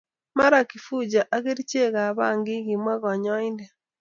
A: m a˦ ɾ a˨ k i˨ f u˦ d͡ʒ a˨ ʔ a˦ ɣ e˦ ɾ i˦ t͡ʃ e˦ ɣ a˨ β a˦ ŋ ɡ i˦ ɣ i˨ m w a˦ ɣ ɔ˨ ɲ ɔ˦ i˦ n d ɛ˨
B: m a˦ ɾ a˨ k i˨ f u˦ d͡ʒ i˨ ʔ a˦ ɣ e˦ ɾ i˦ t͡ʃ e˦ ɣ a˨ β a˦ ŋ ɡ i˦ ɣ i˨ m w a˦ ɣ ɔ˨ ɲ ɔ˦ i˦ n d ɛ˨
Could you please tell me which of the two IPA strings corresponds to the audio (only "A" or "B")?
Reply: A